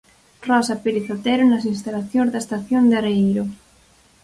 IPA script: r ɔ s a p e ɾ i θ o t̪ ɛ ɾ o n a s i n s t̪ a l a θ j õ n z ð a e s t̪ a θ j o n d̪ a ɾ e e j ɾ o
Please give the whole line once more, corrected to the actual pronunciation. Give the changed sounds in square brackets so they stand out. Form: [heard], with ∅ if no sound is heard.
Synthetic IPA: r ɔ s a p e ɾ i θ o t̪ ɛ ɾ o n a s i n s t̪ a l a θ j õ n z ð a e s t̪ a θ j o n d̪ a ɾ e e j ɾ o